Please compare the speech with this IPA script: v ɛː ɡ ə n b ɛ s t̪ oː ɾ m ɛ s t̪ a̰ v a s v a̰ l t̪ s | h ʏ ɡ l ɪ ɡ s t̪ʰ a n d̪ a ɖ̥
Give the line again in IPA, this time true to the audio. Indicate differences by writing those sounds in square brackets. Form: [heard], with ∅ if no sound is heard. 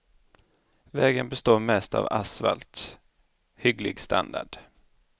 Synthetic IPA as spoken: v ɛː ɡ ə n b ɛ s t̪ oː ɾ m ɛ s t̪ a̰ v a s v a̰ l t̪ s | h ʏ ɡ l ɪ ɡ s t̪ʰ a n d̪ a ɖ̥